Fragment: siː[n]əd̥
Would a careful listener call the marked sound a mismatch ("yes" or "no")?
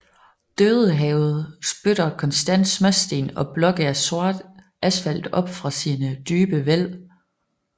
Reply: no